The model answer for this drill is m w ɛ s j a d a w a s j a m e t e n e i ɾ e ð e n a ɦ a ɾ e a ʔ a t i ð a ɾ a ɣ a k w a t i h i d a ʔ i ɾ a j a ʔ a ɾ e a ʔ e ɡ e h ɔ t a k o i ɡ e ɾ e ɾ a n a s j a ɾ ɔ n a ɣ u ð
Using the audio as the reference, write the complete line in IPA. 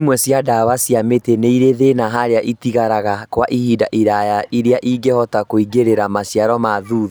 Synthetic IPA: m w ɛ s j a d a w a s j a m e t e n e i ɾ e ð e n a ɦ a ɾ e a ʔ i t i ɣ a ɾ a ɣ a k w a ʔ i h i d a ʔ i ɾ a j a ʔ i ɾ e a ʔ i ɡ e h ɔ t a k o i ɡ e ɾ e ɾ a m a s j a ɾ ɔ m a ð u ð

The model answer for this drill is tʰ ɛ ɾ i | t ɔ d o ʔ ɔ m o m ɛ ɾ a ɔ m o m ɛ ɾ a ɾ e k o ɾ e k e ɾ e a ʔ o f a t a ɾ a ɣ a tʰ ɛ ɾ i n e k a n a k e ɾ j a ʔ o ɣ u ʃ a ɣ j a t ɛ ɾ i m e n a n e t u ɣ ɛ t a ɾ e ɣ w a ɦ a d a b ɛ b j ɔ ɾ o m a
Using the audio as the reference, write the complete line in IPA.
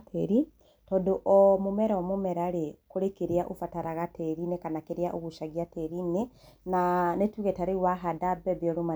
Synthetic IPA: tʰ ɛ ɾ i | t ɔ d o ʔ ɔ m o m ɛ ɾ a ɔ m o m ɛ ɾ a ɾ e k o ɾ e k e ɾ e a ʔ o f a t a ɾ a ɣ a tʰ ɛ ɾ i n e k a n a k e ɾ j a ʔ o ɣ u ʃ a ɣ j a t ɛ ɾ i n e n a n e t u ɣ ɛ t a ɾ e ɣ w a ɦ a d a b ɛ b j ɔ ɾ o m a

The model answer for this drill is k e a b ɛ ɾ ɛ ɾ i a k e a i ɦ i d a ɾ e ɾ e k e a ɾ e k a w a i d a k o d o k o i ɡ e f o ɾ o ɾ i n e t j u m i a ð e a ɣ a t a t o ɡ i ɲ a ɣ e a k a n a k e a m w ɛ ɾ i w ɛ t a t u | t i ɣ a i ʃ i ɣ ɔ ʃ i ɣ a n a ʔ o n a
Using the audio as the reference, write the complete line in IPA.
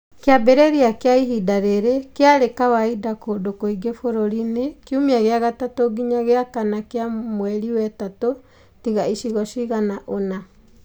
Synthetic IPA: k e a b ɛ ɾ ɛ ɾ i a k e a i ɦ i d a ɾ e ɾ e k e a ɾ e k a w a i d a k o d o k o i ɡ e f o ɾ o ɾ i n e k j u m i a ɣ e a ɣ a t a t o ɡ i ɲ a ɣ e a k a n a k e a m w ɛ ɾ i w ɛ t a t o | t i ɣ a i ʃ i ɣ ɔ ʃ i ɣ a n a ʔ o n a

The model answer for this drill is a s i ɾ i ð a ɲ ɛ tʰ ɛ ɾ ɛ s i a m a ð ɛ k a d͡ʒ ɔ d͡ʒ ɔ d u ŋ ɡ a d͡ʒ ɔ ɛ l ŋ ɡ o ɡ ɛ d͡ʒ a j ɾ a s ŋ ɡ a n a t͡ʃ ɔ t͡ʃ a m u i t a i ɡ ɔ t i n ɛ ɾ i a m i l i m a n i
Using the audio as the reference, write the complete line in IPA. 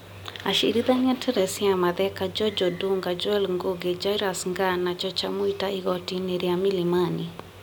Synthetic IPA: a ʃ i ɾ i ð a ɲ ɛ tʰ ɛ ɾ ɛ s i a m a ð ɛ k a d͡ʒ ɔ d͡ʒ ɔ d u ŋ ɡ a d͡ʒ ɔ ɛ l ŋ ɡ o ɡ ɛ d͡ʒ a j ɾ a s ŋ ɡ a n a t͡ʃ ɔ t͡ʃ a m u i t a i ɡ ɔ t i n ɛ ɾ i a m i l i m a n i

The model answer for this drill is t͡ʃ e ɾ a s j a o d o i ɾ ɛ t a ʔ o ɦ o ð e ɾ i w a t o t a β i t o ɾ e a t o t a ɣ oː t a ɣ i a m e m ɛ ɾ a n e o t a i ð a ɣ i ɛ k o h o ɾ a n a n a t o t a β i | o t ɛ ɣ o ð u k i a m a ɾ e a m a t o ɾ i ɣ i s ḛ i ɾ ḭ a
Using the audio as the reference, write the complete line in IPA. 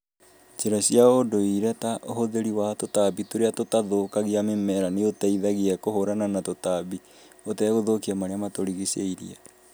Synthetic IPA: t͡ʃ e ɾ a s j a o d o i ɾ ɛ t a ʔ o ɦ o ð e ɾ i w a t o t a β i t o ɾ e a t o t a ð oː k a ɣ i a m e m ɛ ɾ a n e o t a i ð a ɣ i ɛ k o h o ɾ a n a n a t o t a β i | o t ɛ ɣ o ð o k i a m a ɾ e a m a t o ɾ i ɣ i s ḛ i ɾ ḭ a

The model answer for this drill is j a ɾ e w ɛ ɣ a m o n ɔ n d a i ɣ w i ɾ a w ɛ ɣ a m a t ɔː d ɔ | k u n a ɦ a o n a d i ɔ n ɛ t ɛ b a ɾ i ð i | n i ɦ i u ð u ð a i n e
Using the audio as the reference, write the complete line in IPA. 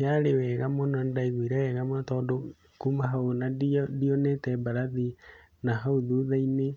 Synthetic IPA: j a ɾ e w ɛ ɣ a m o n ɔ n d a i ɣ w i ɾ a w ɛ ɣ a m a t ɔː d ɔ | k u m a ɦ a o n a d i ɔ n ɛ t ɛ b a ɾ a ð i | n a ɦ a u ð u ð a i n e

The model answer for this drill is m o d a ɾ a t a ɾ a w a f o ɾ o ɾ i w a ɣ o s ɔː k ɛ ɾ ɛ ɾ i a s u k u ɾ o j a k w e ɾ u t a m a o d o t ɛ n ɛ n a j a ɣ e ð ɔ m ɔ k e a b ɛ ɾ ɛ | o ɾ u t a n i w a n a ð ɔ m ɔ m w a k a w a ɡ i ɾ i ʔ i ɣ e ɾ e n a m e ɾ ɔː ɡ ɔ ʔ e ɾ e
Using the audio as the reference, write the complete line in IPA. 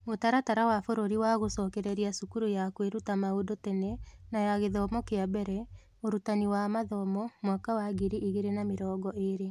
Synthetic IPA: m o t a ɾ a t a ɾ a w a f o ɾ o ɾ i w a ɣ o s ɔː k ɛ ɾ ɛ ɾ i a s u k u ɾ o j a k w e ɾ u t a m a o d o t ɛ n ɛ n a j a ɣ e ð ɔ m ɔ k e a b ɛ ɾ ɛ | o ɾ u t a n i w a m a ð ɔ m ɔ m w a k a w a ɡ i ɾ i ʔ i ɣ e ɾ e n a m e ɾ ɔː ɡ ɔ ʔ e ɾ e

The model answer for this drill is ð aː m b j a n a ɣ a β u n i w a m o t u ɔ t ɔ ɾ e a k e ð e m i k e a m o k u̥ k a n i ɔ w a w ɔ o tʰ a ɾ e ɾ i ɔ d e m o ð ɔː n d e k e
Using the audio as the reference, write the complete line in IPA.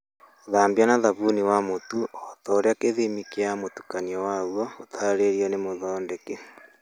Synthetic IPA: ð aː m b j a n a ð a β u n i w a m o t u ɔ t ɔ ɾ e a k e ð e m i k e a m o t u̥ k a n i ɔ w a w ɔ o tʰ a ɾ e ɾ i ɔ n e m o ð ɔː n d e k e

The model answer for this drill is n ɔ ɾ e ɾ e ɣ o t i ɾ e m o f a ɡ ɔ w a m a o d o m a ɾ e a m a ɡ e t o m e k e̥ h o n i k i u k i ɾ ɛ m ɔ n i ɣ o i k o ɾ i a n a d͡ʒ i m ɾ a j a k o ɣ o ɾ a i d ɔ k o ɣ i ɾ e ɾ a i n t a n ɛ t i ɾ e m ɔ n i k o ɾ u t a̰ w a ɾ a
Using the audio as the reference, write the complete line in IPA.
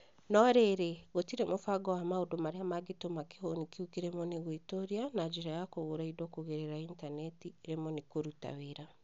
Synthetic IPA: n ɔ ɾ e ɾ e ɣ o t i ɾ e m o f a ɡ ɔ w a m a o d o m a ɾ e a m a ɡ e t o m a k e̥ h o n i k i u k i ɾ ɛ m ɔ n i ɣ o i t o ɾ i a n a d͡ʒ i ɾ a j a k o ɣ o ɾ a i d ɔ k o ɣ e ɾ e ɾ a i n t a n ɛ t i ɾ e m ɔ n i k o ɾ u t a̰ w e ɾ a

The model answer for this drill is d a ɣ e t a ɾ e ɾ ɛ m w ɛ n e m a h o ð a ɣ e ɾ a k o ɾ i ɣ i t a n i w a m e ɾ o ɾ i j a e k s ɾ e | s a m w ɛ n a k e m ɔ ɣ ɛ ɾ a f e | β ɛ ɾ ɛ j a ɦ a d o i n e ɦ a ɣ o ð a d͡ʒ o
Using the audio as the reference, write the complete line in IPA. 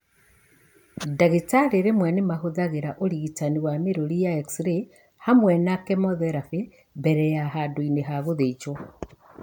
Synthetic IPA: d a ɣ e t a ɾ e ɾ e m w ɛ n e m a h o ð a ɣ e ɾ a ʔ o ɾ i ɣ i t a n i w a m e ɾ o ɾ i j a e k s ɾ e | h a m w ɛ n a k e m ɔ ð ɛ ɾ a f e | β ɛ ɾ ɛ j a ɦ a d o i n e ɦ a ɣ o ð e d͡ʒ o

